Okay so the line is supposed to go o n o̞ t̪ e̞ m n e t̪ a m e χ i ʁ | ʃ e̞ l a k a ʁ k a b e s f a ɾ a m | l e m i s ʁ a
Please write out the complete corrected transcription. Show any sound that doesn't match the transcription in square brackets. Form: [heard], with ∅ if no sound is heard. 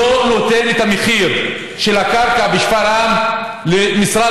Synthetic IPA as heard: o n o̞ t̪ e̞ [∅] n e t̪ a m e χ i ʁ | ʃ e̞ l a k a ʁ k a b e [ʃ] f a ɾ a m | l e m i s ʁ a

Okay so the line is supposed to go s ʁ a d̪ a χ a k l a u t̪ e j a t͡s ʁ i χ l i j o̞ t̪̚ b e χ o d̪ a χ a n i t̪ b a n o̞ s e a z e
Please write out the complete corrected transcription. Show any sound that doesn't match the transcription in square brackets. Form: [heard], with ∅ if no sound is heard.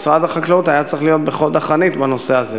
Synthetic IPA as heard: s ʁ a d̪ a χ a k l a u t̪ [a] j a t͡s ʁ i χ l i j o̞ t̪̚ b e χ o d̪ a χ a n i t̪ b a n o̞ s e a z e

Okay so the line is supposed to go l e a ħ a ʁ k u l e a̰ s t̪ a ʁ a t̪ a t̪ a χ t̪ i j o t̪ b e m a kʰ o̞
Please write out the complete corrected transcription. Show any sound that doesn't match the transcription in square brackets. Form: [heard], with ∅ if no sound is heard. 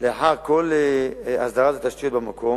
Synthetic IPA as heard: l e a ħ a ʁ k [o] l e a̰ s [d̪] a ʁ a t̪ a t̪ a [ʃ] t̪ i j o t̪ b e m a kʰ o̞

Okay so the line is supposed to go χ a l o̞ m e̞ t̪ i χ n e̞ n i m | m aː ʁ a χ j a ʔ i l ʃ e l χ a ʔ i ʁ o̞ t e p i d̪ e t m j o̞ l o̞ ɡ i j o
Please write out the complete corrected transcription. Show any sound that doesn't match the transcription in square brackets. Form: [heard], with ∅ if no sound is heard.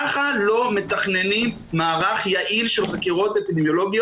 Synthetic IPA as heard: χ a l o̞ m e̞ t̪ [a] χ n e̞ n i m | m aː ʁ a χ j a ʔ i l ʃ e l χ a [k] i ʁ o̞ t e p i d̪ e [∅] m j o̞ l o̞ ɡ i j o

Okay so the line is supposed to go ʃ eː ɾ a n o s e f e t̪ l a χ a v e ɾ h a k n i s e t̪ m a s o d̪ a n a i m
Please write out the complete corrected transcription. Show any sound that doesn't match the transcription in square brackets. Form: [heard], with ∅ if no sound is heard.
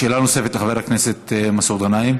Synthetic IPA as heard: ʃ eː [l] a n o s e f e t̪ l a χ a v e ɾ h a k n [e] s e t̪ m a s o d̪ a n a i m

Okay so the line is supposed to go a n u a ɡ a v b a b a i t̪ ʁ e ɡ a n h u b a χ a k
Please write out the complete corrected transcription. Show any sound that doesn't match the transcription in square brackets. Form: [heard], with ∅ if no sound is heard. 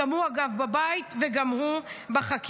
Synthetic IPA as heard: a [m] u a ɡ a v b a b a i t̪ [v] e ɡ a [m] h u b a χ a k

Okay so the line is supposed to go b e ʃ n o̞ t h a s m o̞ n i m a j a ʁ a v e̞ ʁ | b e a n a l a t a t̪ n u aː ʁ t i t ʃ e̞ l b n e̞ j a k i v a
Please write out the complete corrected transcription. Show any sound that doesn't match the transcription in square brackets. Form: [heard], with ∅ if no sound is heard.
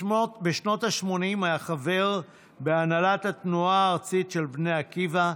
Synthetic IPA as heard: b e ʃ n o̞ t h a [ʃ] m o̞ n i m a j a [χ] a v e̞ ʁ | b e a n a l a t a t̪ n u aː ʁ [t͡s] i t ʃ e̞ l b n e̞ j a k i v a

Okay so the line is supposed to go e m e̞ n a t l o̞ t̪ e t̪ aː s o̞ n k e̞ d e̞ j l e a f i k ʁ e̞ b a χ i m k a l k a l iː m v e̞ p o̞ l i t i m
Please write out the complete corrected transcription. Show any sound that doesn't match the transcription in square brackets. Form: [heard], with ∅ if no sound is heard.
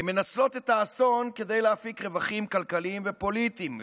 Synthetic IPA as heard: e m e̞ n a [t͡s] l o̞ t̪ e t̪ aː s o̞ n k e̞ d e̞ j l e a f i k ʁ e̞ [v] a χ i m k a l k a l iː m v e̞ p o̞ l i t i m

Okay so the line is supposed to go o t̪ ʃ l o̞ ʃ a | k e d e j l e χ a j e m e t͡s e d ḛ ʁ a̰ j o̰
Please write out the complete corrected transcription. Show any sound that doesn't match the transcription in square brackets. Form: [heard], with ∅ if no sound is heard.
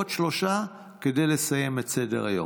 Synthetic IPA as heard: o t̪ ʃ l o̞ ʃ a | k e d e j l e [s] a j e m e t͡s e d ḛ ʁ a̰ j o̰

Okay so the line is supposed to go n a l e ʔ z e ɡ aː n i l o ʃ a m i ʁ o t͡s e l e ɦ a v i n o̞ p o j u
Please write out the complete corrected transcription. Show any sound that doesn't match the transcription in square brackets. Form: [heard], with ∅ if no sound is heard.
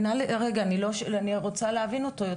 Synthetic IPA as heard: n a l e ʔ [ʁ] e ɡ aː n i l o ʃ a [n] i ʁ o t͡s [a] l e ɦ a v i n o̞ [t] o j [o]

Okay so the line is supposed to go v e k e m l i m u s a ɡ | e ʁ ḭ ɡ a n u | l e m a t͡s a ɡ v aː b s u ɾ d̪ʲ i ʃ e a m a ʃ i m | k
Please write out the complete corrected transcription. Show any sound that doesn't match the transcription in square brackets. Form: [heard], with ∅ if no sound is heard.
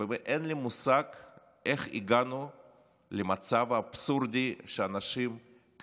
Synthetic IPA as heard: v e [ʔ] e [n] l i m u s a ɡ | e [χ] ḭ ɡ a n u | l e m a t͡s a [∅] v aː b s u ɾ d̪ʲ i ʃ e a [n] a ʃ i m | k

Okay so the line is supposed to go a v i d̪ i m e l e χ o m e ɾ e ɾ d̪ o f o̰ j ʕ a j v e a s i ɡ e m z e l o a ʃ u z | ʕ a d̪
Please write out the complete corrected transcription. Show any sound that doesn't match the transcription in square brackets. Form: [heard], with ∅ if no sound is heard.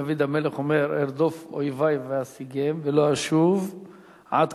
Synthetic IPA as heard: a v i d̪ [a] m e l e χ o m e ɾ e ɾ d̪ o f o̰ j [v] a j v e a s i ɡ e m [v] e l o a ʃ u [v] | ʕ a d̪

